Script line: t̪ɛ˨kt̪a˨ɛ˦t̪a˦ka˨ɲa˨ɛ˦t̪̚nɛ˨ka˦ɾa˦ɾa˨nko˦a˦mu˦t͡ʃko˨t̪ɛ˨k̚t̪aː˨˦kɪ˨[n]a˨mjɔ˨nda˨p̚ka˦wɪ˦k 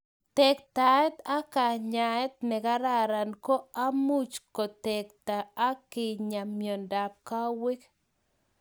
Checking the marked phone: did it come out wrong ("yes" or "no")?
yes